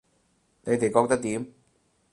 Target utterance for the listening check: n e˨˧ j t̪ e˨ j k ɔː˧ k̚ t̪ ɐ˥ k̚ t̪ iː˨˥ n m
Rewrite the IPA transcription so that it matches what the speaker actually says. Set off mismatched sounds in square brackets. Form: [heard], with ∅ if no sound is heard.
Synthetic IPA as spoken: n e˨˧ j t̪ e˨ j k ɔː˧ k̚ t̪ ɐ˥ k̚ t̪ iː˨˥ [∅] m